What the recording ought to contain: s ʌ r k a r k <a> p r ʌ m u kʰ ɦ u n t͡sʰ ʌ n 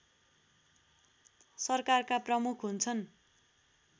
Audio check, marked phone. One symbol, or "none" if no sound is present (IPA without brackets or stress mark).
a